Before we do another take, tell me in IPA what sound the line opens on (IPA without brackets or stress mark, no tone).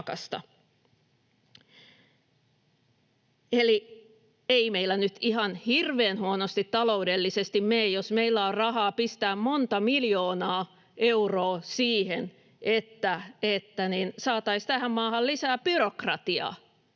k